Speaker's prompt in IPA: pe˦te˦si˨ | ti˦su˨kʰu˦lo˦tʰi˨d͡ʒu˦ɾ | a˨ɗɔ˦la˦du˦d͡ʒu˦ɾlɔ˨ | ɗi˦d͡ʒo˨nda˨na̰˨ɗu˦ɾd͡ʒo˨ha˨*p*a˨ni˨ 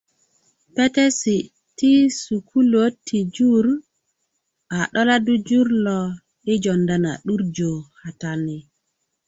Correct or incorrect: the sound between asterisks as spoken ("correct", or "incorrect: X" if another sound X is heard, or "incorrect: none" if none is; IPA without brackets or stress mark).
incorrect: t